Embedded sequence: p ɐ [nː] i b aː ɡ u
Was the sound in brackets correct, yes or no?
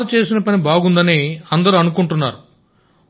no